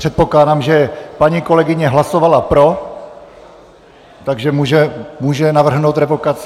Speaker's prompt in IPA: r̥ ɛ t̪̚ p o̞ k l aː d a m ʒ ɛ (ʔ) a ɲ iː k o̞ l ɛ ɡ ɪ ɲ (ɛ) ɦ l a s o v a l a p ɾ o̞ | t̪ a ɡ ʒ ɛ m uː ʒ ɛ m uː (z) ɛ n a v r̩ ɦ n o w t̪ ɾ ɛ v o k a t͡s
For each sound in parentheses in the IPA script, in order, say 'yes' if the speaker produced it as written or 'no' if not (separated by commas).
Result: no, yes, no